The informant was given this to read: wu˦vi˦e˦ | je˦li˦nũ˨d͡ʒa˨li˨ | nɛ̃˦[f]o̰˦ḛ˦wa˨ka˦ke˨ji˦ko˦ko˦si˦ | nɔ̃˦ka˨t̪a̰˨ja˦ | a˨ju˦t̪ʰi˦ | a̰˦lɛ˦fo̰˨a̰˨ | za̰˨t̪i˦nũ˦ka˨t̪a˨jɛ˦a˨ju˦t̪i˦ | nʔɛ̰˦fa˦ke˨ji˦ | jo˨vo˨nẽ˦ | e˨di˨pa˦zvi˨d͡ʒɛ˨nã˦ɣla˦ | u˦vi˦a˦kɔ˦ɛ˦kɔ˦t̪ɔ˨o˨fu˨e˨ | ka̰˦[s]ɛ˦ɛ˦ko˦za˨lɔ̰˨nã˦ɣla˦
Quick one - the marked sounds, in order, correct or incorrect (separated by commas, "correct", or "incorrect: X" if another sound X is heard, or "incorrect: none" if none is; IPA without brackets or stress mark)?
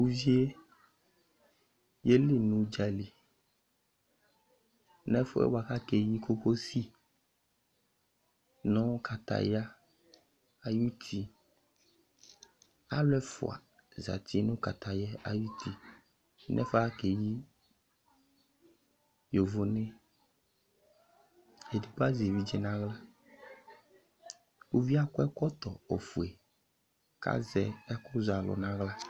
correct, incorrect: z